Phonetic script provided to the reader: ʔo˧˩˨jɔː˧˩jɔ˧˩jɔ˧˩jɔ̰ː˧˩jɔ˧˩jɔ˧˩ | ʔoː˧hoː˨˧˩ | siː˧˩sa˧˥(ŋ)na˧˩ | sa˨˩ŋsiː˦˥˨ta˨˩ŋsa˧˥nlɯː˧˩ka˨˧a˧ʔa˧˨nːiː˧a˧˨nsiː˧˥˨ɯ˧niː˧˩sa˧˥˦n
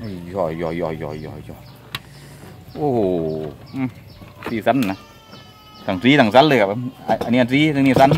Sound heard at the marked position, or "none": n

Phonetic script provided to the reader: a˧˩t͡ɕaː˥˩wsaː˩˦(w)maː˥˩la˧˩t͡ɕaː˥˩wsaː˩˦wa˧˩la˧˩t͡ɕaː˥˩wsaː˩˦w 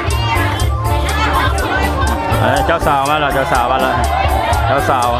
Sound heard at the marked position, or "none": w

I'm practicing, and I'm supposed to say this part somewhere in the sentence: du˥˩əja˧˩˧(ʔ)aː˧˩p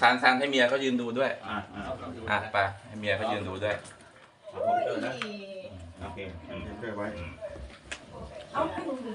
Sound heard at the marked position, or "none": ʔ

